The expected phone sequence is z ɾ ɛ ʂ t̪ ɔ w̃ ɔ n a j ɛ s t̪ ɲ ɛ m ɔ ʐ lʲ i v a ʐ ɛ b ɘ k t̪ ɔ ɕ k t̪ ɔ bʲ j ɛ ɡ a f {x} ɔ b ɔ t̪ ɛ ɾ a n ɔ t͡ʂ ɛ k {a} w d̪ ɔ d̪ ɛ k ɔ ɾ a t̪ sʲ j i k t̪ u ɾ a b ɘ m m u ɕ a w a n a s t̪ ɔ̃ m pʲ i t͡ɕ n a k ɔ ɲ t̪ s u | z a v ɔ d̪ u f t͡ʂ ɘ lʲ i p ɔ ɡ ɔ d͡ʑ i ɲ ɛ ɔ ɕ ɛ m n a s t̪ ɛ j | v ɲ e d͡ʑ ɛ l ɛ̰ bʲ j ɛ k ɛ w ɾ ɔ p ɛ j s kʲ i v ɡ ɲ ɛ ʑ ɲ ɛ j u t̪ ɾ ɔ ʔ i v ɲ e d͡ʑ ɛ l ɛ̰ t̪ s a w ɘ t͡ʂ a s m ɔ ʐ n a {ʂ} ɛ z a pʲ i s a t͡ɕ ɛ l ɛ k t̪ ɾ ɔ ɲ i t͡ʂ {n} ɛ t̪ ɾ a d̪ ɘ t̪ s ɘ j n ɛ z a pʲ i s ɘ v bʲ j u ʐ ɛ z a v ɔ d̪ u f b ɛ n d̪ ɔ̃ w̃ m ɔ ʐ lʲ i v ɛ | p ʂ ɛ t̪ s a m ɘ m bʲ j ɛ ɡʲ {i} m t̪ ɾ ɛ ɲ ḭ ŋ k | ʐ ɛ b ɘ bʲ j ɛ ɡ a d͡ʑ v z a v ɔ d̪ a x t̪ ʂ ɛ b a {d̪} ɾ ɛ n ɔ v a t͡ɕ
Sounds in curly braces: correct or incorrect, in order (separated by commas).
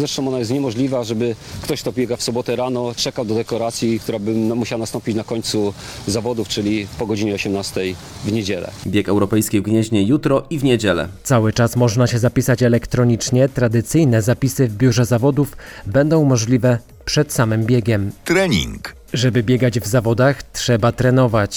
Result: incorrect, correct, incorrect, incorrect, incorrect, incorrect